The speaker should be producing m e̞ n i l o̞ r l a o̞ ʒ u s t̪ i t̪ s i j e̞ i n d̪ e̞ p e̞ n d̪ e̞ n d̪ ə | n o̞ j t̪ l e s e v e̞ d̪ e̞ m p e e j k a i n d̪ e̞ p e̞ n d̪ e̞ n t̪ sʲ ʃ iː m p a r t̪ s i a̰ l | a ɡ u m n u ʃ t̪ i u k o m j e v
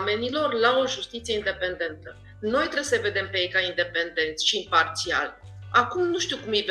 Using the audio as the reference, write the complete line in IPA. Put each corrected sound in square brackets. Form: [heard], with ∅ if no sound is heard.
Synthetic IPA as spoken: m e̞ n i l o̞ r l a o̞ ʒ u s t̪ i t̪ s i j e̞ i n d̪ e̞ p e̞ n d̪ e̞ n [t̪] ə | n o̞ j t̪ [ɾ] e s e v e̞ d̪ e̞ m p e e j k a i n d̪ e̞ p e̞ n d̪ e̞ n t̪ sʲ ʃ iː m p a r t̪ s i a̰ l | a [k] u m n u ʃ t̪ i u k [u] m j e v